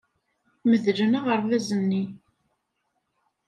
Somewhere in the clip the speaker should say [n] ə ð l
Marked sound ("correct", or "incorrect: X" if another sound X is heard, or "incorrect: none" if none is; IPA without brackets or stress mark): incorrect: m